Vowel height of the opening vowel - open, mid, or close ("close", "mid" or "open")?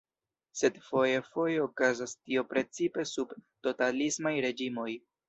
mid